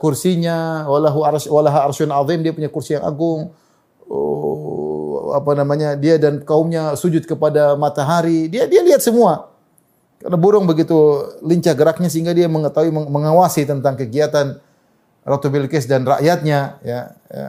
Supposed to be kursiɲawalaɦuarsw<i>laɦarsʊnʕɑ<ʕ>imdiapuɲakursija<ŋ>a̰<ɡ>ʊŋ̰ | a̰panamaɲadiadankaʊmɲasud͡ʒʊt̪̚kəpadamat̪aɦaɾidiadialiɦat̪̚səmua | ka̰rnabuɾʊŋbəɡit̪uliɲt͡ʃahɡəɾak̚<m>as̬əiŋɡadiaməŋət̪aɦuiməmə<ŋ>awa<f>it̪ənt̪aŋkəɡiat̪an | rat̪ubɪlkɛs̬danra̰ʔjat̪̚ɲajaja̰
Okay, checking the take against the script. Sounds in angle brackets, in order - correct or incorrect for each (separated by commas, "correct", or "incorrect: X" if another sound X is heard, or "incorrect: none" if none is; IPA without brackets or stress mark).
incorrect: a, incorrect: ð, correct, correct, incorrect: ɲ, correct, incorrect: s